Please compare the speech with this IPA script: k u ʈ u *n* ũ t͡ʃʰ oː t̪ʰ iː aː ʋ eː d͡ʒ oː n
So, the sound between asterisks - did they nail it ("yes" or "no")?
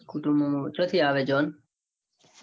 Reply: no